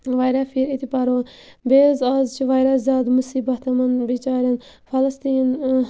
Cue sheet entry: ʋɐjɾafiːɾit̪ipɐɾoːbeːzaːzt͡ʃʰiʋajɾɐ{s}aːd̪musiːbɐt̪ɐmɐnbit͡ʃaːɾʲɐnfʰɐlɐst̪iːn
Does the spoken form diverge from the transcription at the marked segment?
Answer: yes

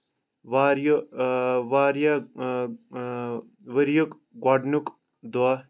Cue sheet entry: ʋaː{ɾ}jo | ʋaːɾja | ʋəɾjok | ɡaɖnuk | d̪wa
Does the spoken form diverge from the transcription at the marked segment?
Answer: no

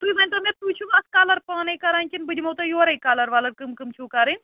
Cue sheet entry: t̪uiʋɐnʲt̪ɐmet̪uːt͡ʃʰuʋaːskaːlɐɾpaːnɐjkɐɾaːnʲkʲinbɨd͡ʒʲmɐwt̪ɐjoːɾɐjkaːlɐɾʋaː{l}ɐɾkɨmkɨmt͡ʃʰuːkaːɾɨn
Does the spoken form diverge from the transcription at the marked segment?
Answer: no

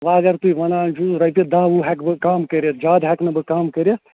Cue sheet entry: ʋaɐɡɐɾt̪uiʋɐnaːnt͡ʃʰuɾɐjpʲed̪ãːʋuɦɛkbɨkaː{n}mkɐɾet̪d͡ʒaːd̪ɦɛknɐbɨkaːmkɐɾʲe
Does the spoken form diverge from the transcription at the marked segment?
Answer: yes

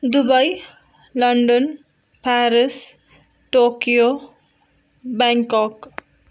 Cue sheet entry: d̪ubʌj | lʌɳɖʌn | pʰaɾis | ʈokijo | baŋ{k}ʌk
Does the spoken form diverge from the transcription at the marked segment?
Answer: no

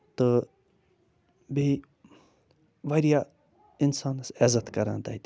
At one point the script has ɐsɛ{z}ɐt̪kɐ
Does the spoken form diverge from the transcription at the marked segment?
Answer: no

